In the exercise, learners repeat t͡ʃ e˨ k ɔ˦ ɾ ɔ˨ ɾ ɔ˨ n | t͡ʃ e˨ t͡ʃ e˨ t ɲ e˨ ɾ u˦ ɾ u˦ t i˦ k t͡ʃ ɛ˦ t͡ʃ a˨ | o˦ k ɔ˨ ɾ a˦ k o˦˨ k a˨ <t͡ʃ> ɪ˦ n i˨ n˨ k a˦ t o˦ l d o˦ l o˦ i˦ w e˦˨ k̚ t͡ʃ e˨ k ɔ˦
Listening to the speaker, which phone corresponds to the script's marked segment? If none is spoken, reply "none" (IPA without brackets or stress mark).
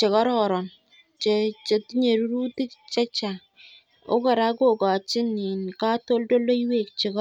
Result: t͡ʃ